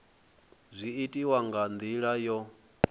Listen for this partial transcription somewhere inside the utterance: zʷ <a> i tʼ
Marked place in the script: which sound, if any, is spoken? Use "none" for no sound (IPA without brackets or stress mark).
i